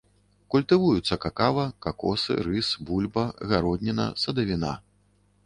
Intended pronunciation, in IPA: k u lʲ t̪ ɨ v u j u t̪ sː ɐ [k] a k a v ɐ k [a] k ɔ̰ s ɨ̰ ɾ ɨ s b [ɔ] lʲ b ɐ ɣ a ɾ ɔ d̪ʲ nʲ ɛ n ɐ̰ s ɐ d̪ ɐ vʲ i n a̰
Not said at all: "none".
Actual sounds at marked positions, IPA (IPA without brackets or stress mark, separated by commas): k, a, u